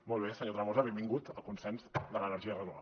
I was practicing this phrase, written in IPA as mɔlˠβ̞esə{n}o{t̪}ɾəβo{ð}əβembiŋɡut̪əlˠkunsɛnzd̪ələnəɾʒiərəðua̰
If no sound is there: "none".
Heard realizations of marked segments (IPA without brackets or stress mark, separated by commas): ɲ, t̪, z